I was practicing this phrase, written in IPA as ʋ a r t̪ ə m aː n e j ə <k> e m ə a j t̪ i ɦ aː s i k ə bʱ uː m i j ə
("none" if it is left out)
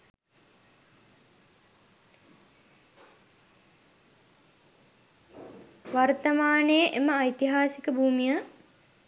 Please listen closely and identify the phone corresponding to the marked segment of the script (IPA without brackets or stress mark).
ʔ